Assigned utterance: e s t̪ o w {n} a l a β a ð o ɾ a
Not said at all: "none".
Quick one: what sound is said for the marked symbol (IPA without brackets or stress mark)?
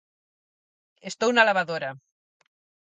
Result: n